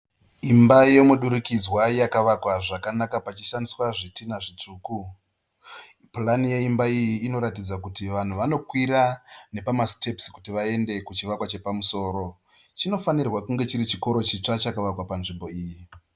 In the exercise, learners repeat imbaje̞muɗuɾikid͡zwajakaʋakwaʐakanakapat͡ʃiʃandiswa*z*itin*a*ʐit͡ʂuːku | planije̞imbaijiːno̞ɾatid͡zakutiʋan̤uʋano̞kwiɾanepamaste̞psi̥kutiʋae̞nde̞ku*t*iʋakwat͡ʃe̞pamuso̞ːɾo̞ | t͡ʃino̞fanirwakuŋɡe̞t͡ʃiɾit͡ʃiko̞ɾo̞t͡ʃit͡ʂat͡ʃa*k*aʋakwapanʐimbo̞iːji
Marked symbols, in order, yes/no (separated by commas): no, yes, no, yes